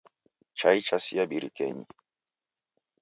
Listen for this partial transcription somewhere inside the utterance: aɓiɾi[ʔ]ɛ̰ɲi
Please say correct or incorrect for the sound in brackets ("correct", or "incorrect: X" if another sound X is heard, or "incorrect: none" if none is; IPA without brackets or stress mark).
incorrect: k